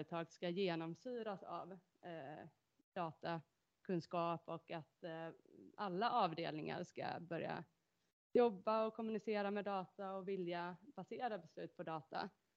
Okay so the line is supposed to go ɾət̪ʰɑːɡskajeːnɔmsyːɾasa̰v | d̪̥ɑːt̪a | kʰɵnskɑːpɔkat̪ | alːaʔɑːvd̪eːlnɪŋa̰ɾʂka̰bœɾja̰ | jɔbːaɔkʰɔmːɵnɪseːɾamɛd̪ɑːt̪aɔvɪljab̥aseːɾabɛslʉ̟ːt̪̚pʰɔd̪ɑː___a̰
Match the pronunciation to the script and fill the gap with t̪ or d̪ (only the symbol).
t̪